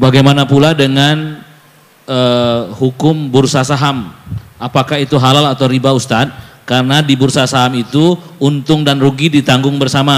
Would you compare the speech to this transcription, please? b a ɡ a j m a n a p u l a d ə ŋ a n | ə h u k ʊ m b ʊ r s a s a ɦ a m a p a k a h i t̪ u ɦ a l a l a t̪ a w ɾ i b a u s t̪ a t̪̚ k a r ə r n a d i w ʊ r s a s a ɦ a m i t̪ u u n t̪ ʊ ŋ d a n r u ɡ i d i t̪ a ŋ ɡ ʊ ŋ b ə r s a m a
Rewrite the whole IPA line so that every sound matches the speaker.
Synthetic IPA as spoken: b a ɡ a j m a n a p u l a d ə ŋ a n | ə h u k ʊ m b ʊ r s a s a ɦ a m a p a k a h i t̪ u ɦ a l a l a t̪ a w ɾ i b a u s t̪ a t̪̚ k a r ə n a d i b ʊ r s a s a ɦ a m i t̪ u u n t̪ ʊ ŋ d a n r u ɡ i d i t̪ a ŋ ɡ ʊ ŋ b ə r s a m a